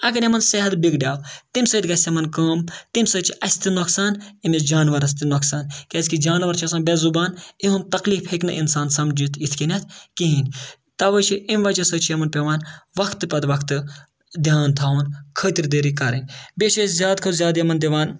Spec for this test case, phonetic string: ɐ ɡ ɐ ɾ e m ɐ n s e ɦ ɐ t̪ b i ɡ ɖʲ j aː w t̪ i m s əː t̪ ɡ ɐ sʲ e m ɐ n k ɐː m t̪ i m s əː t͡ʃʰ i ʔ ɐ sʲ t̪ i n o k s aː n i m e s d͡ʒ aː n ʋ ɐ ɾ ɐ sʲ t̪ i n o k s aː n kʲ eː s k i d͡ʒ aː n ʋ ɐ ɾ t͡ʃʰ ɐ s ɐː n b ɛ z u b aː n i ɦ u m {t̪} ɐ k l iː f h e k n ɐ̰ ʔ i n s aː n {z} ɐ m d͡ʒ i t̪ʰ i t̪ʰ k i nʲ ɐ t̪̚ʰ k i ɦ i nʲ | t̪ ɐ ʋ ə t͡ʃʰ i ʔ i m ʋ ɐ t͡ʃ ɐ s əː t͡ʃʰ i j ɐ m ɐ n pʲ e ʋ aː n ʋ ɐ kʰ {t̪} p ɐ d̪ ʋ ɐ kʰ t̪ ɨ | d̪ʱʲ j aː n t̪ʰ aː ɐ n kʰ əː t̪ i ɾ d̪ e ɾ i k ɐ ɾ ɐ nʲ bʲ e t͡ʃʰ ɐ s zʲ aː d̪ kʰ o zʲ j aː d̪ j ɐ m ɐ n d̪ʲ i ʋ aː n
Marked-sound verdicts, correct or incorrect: correct, incorrect: s, correct

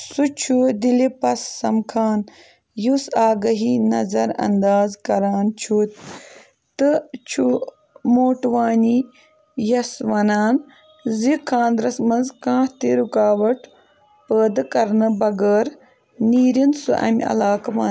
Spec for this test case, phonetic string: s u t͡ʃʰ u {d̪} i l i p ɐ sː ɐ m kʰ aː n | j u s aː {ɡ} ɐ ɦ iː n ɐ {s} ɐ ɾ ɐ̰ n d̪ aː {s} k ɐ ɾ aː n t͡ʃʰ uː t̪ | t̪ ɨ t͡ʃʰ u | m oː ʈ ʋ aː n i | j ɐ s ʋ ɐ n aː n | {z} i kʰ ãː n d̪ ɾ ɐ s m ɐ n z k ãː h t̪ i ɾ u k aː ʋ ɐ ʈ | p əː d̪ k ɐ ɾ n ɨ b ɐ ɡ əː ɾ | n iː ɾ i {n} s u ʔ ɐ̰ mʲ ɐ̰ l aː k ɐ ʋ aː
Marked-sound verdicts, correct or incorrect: correct, correct, incorrect: z, incorrect: z, correct, correct

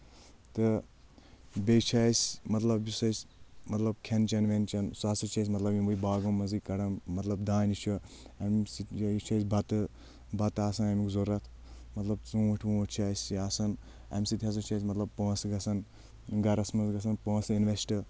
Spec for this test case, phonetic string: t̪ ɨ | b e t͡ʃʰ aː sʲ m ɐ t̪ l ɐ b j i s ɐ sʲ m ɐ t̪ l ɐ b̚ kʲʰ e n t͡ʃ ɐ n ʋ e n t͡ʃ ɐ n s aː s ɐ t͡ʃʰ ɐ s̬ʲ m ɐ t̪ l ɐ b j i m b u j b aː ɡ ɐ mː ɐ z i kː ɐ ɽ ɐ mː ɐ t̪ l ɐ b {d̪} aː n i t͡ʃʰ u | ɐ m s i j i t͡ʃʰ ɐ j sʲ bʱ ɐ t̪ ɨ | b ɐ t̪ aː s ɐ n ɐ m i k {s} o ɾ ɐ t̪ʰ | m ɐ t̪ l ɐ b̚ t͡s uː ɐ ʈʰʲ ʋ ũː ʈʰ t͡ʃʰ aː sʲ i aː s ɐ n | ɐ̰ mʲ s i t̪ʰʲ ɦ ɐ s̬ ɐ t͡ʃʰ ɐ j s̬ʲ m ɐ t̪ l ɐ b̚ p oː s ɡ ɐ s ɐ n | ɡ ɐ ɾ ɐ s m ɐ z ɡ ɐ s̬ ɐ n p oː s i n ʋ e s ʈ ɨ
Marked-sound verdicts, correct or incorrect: correct, incorrect: z

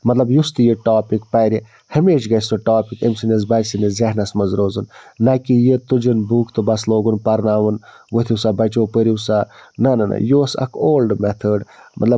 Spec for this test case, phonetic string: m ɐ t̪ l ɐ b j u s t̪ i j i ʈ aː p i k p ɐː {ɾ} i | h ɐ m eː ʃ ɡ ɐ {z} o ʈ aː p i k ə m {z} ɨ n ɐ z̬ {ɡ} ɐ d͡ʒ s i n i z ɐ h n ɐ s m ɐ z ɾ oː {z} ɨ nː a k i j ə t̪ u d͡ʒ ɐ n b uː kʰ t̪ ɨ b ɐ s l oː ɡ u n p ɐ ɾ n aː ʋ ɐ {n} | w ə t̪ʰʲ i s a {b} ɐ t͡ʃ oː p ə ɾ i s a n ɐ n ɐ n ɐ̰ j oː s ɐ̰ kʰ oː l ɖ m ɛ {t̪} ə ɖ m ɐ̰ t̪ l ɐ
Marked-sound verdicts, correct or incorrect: correct, incorrect: s, incorrect: s, incorrect: b, correct, correct, correct, incorrect: t̪ʰ

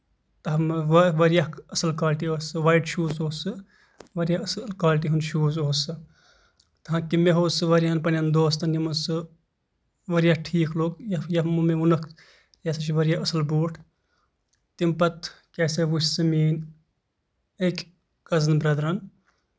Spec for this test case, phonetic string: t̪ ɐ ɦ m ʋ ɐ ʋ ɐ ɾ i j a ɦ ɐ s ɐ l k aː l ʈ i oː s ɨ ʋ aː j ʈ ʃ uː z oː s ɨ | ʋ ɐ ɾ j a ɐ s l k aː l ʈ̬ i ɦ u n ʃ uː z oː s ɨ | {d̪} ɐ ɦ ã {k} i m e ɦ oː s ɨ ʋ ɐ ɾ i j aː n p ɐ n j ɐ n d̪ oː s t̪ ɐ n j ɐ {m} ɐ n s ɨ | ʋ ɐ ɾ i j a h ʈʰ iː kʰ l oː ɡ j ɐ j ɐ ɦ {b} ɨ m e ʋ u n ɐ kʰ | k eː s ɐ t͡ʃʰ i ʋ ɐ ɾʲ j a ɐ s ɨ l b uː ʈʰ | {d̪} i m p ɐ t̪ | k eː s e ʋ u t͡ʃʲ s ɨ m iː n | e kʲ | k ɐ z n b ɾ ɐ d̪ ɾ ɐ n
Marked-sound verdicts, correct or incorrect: incorrect: t̪, correct, correct, incorrect: m, incorrect: t̪

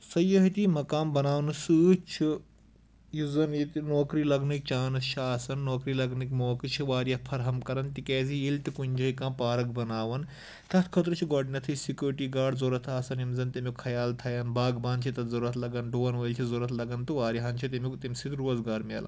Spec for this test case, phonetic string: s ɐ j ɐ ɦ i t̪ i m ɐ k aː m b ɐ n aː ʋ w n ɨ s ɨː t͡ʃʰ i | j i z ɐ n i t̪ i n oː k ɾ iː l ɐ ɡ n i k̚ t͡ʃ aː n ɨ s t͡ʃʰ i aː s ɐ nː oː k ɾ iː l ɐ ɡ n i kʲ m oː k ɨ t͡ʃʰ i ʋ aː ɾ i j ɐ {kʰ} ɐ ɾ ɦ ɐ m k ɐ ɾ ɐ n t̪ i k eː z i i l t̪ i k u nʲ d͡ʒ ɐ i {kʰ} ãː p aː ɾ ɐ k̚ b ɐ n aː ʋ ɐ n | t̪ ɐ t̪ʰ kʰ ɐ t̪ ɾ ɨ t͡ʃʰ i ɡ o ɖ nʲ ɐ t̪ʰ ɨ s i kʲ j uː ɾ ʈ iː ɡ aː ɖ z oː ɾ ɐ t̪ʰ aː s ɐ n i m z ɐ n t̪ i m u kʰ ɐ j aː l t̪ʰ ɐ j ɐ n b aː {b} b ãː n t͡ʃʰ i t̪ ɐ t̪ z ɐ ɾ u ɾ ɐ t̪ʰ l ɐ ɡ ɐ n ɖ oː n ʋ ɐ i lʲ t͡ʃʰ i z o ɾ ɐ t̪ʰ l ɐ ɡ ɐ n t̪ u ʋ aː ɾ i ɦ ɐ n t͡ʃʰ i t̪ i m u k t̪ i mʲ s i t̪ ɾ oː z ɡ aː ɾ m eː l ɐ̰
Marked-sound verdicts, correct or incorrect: incorrect: pʰ, incorrect: k, incorrect: ɡ

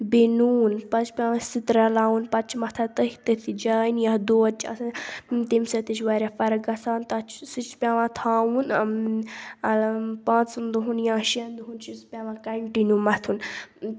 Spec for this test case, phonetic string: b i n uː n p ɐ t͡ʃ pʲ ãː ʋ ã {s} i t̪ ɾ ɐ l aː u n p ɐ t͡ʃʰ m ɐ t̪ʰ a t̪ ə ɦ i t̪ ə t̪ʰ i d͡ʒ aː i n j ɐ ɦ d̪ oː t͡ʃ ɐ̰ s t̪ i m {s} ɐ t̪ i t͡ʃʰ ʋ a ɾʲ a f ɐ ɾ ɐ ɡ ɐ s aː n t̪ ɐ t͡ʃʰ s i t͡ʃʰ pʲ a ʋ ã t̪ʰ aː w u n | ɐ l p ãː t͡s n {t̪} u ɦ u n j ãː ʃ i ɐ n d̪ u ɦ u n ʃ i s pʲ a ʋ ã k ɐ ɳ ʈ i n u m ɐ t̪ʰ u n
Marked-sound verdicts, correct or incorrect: correct, correct, incorrect: d̪

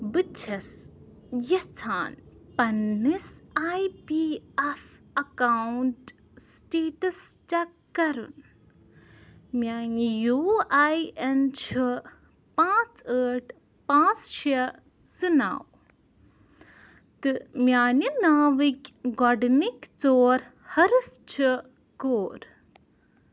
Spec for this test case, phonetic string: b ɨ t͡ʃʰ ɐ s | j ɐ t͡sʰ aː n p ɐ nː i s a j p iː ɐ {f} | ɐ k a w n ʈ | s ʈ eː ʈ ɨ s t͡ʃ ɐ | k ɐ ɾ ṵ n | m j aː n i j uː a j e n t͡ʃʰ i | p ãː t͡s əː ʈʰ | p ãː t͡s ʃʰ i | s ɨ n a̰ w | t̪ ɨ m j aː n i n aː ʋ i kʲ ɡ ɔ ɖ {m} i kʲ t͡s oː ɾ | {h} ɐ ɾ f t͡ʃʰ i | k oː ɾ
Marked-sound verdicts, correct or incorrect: correct, incorrect: n, correct

